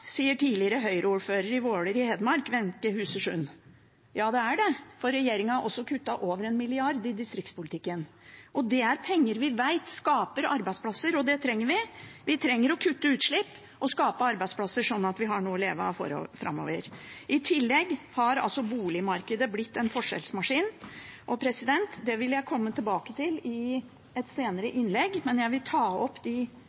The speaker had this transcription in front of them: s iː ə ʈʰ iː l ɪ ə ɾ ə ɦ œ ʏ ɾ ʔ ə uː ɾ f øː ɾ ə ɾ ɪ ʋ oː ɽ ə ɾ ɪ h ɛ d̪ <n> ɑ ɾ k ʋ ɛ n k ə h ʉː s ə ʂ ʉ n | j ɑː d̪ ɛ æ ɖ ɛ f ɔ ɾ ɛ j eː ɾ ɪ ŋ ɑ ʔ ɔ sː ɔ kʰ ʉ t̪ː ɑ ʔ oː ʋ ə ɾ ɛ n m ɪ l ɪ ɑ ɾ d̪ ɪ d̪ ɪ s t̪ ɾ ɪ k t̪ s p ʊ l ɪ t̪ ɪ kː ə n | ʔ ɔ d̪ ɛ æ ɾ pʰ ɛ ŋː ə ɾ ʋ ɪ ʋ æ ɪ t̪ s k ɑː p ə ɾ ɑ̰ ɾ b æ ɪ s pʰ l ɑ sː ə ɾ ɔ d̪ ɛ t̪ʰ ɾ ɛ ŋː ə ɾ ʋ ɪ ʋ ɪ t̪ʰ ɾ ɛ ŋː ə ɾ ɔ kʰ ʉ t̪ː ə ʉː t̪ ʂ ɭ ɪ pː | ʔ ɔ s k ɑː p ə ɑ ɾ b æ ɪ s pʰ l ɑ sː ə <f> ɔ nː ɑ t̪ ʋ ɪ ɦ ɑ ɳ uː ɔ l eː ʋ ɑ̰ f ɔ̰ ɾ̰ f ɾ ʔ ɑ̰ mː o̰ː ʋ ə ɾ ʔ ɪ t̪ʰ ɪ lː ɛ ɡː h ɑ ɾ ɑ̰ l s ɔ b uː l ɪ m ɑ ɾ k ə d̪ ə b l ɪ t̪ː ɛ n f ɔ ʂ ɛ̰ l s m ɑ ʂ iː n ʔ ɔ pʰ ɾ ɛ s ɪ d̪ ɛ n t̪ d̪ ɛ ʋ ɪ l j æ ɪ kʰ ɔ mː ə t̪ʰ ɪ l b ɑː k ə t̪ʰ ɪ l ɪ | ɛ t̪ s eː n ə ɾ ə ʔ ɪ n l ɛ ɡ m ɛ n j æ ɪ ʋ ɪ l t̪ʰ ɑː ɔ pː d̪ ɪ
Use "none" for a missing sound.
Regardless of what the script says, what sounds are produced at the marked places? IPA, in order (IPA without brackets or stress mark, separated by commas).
m, ʂ